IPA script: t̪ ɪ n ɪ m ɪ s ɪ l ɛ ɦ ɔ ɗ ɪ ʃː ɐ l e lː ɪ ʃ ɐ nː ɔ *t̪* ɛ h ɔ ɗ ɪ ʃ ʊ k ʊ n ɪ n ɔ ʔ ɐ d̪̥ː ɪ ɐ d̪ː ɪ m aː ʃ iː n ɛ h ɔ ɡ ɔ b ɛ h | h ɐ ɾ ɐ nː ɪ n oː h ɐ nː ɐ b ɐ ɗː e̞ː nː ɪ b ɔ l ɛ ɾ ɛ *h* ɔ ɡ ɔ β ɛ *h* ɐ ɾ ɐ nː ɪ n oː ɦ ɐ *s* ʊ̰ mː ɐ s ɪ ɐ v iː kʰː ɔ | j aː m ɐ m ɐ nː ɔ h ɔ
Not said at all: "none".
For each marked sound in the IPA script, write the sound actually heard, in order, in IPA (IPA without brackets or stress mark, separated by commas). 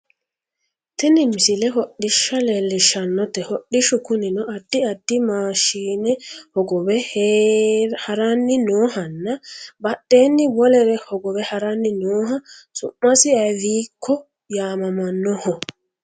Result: t̪, h, h, s